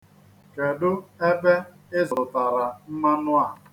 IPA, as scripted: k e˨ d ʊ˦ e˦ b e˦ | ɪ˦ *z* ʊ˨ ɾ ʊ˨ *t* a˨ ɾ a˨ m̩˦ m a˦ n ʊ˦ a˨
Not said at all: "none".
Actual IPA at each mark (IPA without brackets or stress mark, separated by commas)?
z, t